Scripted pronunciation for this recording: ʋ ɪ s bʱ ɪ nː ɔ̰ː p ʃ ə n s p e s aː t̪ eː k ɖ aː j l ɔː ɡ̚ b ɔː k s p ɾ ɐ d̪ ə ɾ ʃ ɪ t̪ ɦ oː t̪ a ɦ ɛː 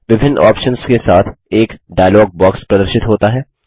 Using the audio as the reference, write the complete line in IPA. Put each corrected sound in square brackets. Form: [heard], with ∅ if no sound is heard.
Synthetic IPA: ʋ ɪ [∅] bʱ ɪ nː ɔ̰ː p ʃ ə n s [k] e s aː [t̪ʰ] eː k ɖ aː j l ɔː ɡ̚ b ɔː k s p ɾ ɐ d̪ ə ɾ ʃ ɪ t̪ ɦ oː t̪ a ɦ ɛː